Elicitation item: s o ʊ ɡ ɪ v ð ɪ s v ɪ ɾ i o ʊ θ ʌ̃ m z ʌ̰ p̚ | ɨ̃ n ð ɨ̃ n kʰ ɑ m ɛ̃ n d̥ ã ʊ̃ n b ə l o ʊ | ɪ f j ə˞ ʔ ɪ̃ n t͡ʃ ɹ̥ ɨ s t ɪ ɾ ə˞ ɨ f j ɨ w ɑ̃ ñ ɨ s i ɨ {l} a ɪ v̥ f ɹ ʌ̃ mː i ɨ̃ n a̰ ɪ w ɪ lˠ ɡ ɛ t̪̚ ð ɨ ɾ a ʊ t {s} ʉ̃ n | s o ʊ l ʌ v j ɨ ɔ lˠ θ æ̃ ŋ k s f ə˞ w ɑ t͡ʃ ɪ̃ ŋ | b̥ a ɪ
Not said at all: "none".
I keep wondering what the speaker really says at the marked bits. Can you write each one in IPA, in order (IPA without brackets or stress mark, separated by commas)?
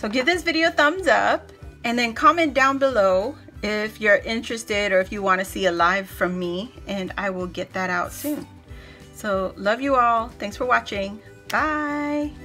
l, s